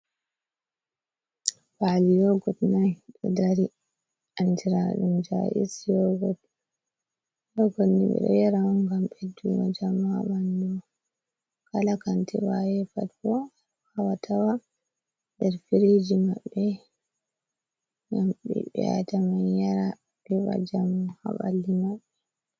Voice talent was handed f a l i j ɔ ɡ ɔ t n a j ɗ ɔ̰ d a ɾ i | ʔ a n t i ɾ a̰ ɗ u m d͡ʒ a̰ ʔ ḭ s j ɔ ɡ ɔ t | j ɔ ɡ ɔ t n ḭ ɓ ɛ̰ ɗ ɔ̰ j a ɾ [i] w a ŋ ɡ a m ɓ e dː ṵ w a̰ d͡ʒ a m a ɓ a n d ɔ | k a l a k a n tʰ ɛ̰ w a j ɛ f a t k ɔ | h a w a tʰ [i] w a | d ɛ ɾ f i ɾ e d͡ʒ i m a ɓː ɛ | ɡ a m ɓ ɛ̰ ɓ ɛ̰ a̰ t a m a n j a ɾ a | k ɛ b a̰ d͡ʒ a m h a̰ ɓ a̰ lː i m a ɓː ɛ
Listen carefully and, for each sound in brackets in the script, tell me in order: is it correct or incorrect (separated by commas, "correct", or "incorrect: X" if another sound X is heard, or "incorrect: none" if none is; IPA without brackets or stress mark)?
incorrect: a, incorrect: a